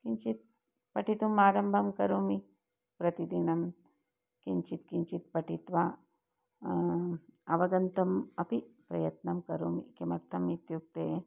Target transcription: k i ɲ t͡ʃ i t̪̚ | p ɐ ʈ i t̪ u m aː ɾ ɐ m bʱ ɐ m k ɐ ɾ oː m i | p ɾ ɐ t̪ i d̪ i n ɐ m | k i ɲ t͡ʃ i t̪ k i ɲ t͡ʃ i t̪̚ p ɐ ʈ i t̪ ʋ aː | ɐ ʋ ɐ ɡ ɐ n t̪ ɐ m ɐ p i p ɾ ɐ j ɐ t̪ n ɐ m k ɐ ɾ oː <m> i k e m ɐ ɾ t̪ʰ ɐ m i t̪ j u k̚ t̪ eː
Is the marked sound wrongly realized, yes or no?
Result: no